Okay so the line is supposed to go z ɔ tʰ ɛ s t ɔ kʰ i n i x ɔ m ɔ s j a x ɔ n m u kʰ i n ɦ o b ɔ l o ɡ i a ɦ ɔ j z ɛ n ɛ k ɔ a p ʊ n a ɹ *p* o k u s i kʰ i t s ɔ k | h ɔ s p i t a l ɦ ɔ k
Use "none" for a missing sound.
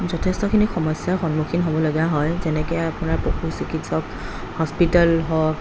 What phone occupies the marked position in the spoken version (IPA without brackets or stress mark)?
p